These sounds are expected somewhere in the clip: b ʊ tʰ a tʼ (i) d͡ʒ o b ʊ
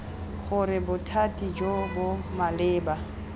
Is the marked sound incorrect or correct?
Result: correct